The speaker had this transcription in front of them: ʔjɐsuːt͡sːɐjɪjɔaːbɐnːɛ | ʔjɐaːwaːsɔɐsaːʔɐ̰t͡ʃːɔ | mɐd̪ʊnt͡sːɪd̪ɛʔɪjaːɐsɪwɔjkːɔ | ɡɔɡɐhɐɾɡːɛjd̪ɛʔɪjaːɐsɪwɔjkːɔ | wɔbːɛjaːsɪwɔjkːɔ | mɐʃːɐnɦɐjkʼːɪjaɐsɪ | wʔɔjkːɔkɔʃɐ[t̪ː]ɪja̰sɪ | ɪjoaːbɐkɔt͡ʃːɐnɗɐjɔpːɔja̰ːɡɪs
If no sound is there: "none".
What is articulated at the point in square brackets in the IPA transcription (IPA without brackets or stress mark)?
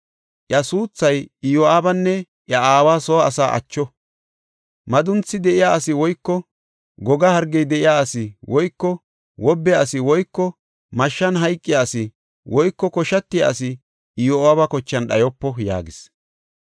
t̪ː